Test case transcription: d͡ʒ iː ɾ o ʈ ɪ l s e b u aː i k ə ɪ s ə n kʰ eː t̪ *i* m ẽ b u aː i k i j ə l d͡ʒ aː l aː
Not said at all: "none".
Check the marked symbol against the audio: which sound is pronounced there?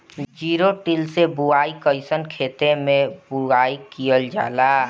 e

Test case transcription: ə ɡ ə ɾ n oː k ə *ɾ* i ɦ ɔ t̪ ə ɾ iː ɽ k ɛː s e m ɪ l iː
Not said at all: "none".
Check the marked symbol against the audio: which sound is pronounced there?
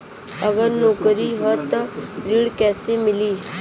ɾ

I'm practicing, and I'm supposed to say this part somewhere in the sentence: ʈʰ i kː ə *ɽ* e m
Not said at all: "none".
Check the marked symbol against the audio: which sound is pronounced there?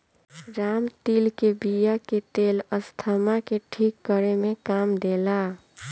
ɾ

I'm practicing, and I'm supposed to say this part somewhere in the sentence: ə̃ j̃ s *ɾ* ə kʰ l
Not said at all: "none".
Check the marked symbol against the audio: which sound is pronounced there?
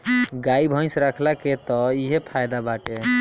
ɾ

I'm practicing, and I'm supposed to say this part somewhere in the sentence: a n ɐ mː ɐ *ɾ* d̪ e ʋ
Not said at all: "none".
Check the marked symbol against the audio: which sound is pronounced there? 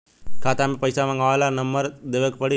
ɾ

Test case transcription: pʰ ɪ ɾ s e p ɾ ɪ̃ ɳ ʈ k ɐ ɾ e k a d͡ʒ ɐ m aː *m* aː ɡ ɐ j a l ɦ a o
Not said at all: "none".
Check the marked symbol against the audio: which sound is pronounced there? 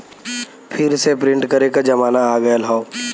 n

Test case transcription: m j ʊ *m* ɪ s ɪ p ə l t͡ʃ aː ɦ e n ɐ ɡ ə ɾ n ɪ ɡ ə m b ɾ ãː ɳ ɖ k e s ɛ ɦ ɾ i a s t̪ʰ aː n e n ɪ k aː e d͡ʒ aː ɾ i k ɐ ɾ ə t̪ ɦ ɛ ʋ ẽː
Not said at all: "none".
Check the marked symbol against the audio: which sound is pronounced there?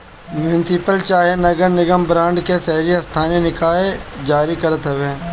n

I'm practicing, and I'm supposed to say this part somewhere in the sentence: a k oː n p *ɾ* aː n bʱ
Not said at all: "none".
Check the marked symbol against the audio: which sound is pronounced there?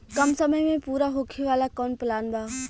l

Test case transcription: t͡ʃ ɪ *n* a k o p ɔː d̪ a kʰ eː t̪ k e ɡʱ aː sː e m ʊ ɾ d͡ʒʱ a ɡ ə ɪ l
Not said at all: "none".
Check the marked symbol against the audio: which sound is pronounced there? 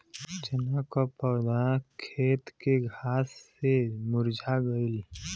n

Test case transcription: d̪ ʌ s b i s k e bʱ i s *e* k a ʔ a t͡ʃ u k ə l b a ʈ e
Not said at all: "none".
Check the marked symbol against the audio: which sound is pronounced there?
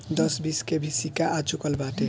i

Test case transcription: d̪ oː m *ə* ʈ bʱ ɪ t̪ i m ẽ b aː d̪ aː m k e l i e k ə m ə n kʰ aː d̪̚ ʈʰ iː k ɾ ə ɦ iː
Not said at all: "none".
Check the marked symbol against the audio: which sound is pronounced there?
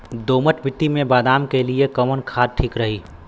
ə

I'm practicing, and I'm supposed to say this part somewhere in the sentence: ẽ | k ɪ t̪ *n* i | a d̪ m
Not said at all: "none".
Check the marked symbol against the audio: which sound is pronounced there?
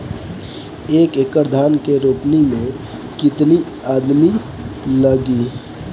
n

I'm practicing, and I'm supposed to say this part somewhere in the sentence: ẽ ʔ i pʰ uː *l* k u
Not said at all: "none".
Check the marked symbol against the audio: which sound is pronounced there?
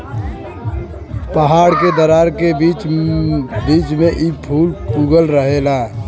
l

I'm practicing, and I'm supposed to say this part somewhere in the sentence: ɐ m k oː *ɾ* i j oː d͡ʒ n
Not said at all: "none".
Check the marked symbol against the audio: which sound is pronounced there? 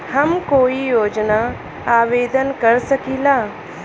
none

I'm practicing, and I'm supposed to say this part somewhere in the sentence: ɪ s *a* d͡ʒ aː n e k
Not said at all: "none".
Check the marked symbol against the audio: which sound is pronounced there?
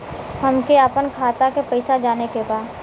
a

